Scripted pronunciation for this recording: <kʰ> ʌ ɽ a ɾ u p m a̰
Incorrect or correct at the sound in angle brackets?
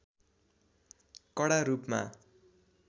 incorrect: k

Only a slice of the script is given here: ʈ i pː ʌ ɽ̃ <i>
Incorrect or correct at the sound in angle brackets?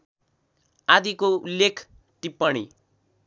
correct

